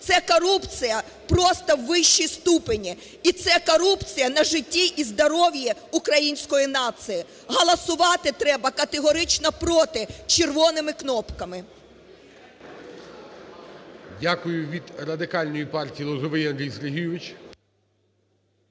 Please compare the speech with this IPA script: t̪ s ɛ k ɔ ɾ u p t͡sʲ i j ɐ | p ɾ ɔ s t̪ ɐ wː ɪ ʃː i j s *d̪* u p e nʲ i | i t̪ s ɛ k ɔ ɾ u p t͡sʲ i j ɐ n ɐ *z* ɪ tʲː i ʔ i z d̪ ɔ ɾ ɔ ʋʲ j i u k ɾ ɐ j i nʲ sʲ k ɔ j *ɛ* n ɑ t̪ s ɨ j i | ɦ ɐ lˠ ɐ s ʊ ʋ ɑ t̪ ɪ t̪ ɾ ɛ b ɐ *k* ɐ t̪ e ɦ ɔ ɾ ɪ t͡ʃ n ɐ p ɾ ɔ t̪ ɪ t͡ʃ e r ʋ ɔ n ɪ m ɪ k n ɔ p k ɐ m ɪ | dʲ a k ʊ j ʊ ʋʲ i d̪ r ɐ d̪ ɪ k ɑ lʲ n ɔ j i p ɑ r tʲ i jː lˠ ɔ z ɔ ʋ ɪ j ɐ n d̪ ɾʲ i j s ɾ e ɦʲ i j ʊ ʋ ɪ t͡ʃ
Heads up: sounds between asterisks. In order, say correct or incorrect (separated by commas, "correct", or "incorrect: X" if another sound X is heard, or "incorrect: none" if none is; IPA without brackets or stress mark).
incorrect: t̪, incorrect: ʒ, incorrect: i, correct